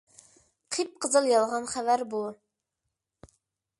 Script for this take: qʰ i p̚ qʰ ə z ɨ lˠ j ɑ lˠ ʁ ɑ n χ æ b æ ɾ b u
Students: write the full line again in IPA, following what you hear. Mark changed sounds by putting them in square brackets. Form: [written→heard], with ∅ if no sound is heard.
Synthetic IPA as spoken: qʰ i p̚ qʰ ə z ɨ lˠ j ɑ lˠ ʁ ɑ n χ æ [b→v] æ ɾ b u